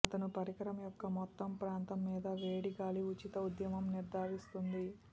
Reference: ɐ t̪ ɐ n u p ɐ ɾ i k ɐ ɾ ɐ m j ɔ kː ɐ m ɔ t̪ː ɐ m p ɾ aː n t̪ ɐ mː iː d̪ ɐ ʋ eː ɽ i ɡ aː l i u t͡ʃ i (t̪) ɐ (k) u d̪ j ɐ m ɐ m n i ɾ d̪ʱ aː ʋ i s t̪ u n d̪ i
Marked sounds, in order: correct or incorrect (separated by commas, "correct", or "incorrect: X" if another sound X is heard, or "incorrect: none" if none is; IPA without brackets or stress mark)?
correct, incorrect: none